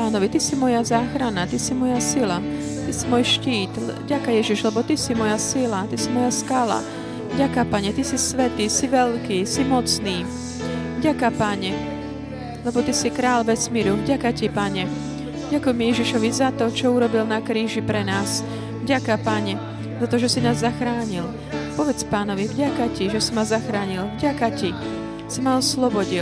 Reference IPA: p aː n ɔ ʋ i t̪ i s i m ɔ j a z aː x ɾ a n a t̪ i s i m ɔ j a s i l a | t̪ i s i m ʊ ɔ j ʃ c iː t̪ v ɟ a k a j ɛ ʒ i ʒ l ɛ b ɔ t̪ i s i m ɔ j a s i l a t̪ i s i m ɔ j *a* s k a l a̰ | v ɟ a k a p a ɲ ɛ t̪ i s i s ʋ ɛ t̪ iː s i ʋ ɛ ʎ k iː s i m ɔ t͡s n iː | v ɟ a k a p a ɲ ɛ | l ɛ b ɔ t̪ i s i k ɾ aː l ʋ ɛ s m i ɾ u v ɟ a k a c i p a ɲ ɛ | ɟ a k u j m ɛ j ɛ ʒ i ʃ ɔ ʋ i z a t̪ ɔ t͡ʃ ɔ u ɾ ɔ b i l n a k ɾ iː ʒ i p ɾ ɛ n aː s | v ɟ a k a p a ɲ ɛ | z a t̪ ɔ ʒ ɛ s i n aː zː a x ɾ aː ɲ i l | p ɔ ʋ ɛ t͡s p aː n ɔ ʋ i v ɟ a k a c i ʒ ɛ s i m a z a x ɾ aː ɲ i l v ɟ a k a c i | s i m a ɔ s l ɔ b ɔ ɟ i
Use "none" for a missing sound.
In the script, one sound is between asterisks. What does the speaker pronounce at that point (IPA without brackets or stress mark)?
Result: a